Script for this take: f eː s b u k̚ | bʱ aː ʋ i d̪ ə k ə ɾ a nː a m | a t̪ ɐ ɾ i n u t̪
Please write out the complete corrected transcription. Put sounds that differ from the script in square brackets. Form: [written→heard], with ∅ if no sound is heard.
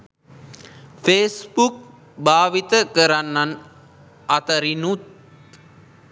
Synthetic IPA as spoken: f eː s b u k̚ | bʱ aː ʋ i [d̪→t̪] ə k ə ɾ a nː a [m→n] | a t̪ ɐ ɾ i n u t̪